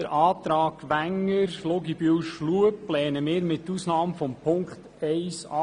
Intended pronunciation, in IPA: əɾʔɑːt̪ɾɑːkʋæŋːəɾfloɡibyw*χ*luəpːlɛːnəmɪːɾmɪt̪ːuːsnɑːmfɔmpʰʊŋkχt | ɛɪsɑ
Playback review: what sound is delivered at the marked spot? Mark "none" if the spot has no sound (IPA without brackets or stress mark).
ʃ